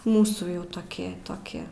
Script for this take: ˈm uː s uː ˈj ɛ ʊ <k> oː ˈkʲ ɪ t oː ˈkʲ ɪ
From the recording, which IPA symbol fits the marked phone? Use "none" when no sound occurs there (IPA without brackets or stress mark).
t